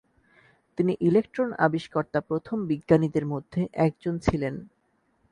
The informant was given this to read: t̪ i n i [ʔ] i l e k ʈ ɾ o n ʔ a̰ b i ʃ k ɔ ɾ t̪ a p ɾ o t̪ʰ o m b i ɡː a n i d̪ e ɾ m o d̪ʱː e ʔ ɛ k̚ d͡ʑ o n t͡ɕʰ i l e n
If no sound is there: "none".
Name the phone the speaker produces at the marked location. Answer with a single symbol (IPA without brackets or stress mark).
ʔ